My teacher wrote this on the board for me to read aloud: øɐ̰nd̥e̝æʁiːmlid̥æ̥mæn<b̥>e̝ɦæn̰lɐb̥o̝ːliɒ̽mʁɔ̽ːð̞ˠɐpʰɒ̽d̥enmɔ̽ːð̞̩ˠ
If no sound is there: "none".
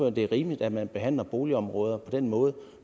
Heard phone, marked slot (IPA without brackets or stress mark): b̥